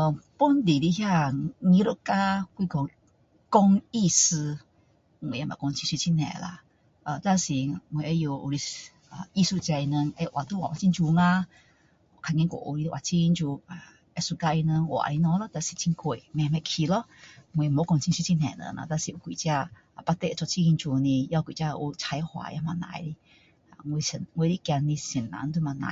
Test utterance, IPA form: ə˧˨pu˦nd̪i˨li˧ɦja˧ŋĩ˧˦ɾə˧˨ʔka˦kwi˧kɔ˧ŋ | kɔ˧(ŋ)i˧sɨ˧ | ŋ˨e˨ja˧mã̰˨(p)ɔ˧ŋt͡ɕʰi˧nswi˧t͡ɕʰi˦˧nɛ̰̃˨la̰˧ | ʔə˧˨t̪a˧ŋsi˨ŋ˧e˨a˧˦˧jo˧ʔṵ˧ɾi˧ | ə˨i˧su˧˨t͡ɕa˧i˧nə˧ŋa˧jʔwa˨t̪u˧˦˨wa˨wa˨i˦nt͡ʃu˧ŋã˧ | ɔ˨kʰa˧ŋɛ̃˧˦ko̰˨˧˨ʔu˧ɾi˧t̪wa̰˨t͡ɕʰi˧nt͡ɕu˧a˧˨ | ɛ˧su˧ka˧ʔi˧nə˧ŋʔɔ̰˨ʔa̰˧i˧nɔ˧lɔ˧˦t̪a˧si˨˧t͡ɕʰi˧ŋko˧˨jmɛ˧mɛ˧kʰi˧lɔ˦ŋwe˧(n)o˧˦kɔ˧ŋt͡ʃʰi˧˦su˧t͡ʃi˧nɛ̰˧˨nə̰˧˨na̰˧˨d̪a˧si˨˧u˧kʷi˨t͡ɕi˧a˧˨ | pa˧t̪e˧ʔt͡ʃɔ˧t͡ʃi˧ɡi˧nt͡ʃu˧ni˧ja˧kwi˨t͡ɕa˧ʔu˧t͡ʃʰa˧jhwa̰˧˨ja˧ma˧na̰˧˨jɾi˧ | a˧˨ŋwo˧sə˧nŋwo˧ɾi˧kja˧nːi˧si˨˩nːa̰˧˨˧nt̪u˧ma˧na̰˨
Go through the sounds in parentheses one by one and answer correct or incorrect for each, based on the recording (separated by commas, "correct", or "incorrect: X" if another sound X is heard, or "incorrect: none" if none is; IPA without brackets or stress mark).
correct, incorrect: k, incorrect: m